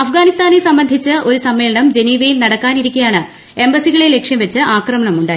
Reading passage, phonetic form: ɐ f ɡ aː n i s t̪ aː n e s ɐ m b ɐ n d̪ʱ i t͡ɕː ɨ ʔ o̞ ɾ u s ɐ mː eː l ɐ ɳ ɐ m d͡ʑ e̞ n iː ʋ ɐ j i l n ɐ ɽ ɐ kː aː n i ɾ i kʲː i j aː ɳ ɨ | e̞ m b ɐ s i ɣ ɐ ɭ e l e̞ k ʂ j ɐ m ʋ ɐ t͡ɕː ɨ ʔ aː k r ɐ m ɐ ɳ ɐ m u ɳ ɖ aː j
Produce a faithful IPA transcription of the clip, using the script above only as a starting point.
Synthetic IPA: ɐ f ɡ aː n i s t̪ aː n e s ɐ m b ɐ n d̪ʱ i t͡ɕː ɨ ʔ o̞ ɾ u s ɐ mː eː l ɐ ɳ ɐ m d͡ʑ e̞ n iː ʋ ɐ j i l n ɐ ɽ ɐ kː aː n i ɾ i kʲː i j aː ɳ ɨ | e̞ m b ɐ s i ɣ ɐ ɭ e l e̞ k ʂ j ɐ m ʋ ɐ t͡ɕː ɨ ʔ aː k r ɐ m ɐ ɳ ɐ m u ɳ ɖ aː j